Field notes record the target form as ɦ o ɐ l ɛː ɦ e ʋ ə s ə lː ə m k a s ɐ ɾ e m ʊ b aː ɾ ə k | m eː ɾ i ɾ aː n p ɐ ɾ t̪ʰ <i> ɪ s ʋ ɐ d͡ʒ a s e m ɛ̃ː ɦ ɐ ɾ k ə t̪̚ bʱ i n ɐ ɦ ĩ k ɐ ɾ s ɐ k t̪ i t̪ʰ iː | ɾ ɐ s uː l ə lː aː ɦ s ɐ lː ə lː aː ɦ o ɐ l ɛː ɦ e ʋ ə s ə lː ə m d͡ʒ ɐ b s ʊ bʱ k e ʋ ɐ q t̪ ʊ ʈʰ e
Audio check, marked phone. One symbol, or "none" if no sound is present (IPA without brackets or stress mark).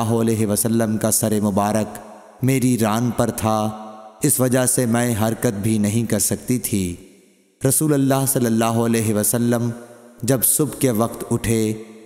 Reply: a